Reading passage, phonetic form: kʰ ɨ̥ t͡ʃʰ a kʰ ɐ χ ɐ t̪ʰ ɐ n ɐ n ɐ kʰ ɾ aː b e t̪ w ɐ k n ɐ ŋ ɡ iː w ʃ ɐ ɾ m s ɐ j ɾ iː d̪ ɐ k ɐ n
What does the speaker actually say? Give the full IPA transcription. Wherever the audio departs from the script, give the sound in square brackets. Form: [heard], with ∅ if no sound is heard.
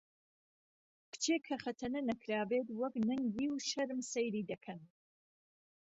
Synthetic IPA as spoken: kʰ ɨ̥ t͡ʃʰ [e] kʰ ɐ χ ɐ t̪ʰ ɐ n ɐ n ɐ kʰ ɾ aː b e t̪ w ɐ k n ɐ ŋ ɡ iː w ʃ ɐ ɾ m s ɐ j ɾ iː d̪ ɐ [kʰ] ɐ n